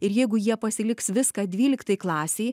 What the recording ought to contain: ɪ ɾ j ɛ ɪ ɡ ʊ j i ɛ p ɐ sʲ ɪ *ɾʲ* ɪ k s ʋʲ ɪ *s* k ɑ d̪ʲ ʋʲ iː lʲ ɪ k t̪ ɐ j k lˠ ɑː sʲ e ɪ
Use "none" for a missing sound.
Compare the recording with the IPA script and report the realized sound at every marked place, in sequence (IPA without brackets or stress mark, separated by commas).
lʲ, s